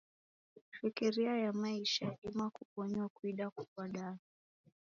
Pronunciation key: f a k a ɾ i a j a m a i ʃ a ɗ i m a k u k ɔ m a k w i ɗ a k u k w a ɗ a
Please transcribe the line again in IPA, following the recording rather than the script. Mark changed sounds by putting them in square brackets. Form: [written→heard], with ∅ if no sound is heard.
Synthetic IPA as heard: f [a→i] k [a→i] ɾ i a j a m a i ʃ a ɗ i m a k u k ɔ [m→ɲ] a k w i ɗ a k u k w a ɗ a

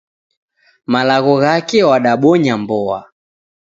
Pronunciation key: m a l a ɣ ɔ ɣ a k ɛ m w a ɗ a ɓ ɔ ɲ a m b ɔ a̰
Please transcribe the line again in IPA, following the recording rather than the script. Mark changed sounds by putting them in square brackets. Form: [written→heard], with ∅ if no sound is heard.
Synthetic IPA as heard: m a l a ɣ ɔ ɣ a k ɛ [m→∅] w a ɗ a ɓ ɔ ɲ a m b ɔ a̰

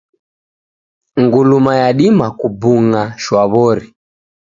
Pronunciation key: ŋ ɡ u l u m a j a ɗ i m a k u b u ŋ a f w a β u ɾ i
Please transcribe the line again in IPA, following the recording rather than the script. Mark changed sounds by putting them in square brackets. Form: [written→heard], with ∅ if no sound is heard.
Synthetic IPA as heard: ŋ ɡ u l u m a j a ɗ i m a k u b u ŋ a [f→ʃ] w a β [u→ɔ] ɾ i

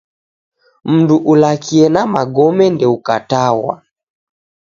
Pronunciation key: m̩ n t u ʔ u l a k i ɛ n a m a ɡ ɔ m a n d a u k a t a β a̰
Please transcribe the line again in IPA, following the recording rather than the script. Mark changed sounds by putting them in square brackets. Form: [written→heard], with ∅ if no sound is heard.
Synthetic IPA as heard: m̩ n [t→d] u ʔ u l a k i ɛ n a m a ɡ ɔ m [a→ɛ] n d [a→ɛ] u k a t a [β→w] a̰

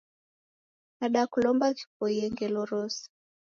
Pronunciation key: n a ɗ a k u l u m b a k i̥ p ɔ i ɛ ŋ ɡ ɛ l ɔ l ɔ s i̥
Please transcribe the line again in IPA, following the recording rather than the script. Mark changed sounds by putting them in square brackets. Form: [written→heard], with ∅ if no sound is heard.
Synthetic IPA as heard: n a ɗ a k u l [u→ɔ] m b a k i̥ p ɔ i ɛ ŋ ɡ ɛ l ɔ [l→ɾ] ɔ s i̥

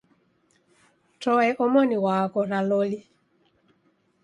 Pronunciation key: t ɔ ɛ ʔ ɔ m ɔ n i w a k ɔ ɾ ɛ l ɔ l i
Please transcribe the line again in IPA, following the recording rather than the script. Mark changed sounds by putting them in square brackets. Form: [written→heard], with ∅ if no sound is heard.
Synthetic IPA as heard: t ɔ ɛ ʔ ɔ m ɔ n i w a k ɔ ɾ [ɛ→a] l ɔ l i

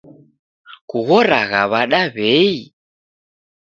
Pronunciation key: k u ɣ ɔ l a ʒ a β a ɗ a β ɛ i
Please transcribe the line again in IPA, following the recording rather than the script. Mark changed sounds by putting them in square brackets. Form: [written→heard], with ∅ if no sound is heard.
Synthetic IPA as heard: k u ɣ ɔ [l→ɾ] a [ʒ→ɣ] a β a ɗ a β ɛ i

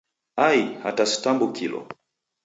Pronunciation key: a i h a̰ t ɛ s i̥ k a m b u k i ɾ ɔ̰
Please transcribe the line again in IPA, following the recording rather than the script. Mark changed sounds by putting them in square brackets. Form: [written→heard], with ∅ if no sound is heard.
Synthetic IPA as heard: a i h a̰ t [ɛ→a] s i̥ [k→t] a m b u k i [ɾ→l] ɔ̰

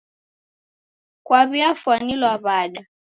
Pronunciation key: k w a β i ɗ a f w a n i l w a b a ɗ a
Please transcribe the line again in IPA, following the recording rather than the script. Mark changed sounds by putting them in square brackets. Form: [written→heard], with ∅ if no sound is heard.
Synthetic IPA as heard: k w a β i [ɗ→∅] a f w a n i l w a [b→β] a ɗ a

